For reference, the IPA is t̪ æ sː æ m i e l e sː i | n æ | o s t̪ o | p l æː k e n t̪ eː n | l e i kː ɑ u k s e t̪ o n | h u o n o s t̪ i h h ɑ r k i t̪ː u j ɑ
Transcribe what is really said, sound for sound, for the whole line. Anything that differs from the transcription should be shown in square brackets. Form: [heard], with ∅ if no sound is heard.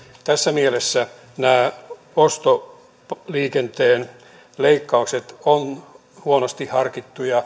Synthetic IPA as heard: t̪ æ sː æ m i e l e sː [æ] | n [æː] | o s t̪ o | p l [iː] k e n t̪ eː n | l e i kː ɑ u k s e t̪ o n | h u o n o s t̪ i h h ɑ r k i t̪ː u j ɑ